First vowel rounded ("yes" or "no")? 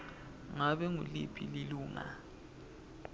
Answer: no